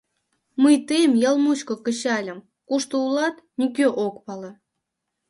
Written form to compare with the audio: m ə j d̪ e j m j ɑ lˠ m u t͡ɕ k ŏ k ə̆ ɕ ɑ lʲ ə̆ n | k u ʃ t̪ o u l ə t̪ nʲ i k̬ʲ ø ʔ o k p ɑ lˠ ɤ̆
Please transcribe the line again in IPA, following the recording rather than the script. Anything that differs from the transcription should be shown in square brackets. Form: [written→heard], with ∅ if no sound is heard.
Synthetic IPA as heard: m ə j [d̪→t̪] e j m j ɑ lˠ m u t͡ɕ k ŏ k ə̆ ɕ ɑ lʲ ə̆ [n→m] | k u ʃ t̪ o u l [ə→ɑ] t̪ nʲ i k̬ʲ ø ʔ o k p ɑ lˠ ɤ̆